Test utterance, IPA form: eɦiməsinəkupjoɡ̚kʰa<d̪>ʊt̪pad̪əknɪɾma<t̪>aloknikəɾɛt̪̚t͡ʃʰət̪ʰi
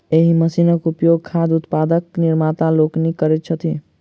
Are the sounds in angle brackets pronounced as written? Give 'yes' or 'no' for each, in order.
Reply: yes, yes

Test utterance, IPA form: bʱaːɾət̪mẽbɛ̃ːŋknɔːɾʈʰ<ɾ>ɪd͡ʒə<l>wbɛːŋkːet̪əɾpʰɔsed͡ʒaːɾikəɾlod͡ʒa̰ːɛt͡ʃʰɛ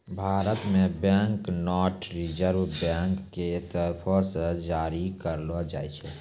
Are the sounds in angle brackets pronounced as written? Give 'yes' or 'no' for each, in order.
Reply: yes, no

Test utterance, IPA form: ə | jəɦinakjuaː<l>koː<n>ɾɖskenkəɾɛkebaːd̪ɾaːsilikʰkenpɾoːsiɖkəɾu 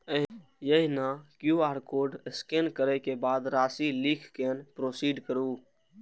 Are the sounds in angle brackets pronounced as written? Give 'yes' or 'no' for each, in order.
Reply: no, no

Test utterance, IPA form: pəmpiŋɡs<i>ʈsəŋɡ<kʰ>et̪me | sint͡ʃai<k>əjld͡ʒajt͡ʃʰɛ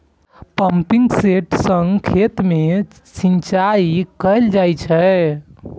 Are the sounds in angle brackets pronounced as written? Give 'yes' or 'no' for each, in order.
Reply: no, yes, yes

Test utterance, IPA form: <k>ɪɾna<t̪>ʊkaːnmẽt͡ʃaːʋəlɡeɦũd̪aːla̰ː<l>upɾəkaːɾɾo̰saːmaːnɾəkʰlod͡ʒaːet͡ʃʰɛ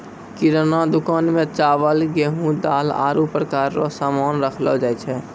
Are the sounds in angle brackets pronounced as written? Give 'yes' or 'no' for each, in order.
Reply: yes, no, no

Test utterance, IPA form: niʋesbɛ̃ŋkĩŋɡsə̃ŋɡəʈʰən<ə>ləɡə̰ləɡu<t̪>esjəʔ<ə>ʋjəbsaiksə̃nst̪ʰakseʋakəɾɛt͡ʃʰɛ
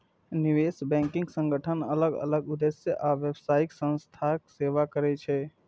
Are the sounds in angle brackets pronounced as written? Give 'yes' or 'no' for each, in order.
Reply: yes, no, no

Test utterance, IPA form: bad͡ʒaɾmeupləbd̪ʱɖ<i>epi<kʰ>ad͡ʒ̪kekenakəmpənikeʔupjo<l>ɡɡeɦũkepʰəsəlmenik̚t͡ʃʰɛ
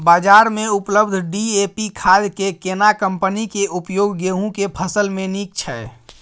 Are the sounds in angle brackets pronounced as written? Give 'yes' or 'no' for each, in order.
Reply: yes, yes, no

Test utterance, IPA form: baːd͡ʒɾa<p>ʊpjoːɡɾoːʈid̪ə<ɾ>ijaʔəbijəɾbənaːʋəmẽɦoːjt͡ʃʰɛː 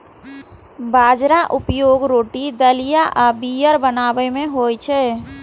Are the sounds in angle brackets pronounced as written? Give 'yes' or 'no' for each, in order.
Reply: no, no

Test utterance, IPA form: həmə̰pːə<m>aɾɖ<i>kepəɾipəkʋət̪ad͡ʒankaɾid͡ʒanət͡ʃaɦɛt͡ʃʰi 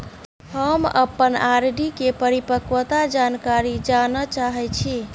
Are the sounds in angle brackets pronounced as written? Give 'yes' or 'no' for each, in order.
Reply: no, yes

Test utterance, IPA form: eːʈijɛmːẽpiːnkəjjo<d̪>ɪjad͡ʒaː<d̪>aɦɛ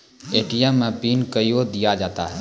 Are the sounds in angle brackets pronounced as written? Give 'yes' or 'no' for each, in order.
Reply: yes, no

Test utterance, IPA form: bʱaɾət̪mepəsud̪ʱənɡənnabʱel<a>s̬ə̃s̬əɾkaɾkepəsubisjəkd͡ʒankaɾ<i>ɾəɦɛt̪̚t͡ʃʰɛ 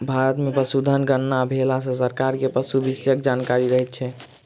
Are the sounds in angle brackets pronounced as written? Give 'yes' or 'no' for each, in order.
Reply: yes, yes

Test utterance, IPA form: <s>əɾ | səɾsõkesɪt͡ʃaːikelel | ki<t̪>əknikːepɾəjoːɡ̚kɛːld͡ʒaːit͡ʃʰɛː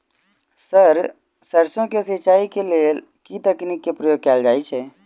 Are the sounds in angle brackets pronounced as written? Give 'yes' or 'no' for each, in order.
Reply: yes, yes

